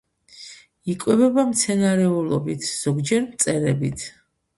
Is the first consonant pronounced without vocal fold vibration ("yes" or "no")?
yes